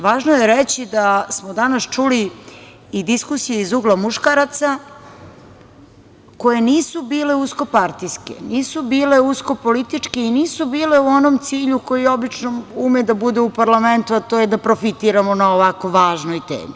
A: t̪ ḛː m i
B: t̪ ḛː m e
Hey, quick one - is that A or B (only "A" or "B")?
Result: A